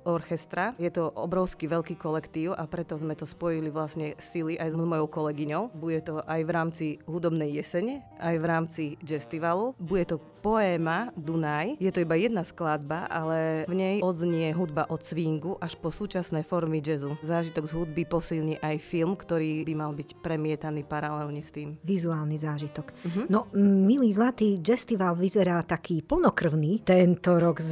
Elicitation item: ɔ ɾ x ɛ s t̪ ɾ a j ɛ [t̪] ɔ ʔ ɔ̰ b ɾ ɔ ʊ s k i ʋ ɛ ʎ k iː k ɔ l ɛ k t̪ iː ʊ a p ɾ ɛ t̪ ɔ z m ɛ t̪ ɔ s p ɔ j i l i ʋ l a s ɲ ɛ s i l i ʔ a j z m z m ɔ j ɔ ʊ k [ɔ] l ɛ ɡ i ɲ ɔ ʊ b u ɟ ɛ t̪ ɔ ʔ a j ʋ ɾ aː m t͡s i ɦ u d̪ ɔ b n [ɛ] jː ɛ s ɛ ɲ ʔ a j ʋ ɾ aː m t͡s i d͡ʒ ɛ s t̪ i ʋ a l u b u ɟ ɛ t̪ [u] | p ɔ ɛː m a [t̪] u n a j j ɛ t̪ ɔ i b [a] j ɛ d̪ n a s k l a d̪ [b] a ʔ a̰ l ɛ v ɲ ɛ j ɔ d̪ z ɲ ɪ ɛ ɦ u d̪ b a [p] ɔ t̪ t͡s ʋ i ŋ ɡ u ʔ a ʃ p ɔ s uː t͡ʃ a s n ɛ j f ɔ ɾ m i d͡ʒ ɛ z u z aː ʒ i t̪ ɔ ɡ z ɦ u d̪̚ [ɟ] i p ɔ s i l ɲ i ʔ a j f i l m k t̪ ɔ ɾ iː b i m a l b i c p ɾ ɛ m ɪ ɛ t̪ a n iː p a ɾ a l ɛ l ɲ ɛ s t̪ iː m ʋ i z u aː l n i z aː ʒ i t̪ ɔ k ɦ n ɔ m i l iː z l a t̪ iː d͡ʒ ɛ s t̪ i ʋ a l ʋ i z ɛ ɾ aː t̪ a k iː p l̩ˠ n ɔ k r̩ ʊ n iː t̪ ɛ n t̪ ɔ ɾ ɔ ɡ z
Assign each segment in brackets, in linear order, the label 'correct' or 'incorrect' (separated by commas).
correct, correct, correct, incorrect, incorrect, correct, correct, incorrect, incorrect